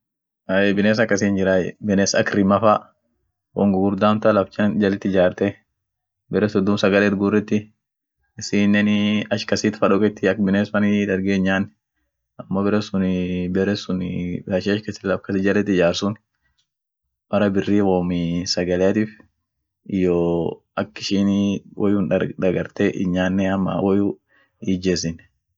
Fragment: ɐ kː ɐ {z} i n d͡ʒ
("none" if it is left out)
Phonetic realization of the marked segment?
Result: s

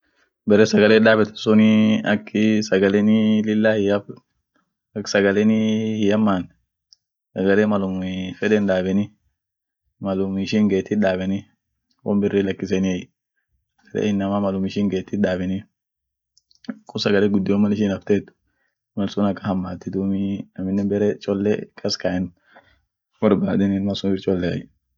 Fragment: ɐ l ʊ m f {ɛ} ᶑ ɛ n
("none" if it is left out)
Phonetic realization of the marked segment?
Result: ɛ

